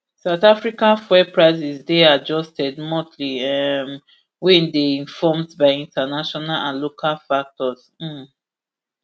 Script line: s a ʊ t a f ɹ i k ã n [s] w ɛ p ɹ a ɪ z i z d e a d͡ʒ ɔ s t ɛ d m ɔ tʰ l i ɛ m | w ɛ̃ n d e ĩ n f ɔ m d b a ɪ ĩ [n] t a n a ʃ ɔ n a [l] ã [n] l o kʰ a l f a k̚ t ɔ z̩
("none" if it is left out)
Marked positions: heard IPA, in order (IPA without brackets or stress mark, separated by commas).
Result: f, n, l, n